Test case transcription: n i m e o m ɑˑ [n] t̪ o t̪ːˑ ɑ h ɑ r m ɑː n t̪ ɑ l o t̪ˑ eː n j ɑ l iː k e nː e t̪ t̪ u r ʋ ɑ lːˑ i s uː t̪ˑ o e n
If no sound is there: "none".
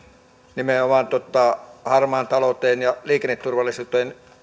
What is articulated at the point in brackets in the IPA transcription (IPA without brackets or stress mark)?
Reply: n